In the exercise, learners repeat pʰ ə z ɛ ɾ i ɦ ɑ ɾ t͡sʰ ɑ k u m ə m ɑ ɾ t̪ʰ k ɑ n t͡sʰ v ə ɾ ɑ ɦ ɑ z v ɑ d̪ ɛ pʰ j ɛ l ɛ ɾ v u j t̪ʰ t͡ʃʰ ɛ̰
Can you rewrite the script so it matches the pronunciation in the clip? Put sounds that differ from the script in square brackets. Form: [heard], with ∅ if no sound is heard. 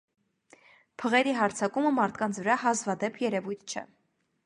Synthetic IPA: pʰ ə [ʁ] ɛ ɾ i ɦ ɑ ɾ t͡sʰ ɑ k u m ə m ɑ ɾ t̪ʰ k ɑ n t͡sʰ v ə ɾ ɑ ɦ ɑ z v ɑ d̪ ɛ pʰ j ɛ [ɾ] ɛ [∅] v u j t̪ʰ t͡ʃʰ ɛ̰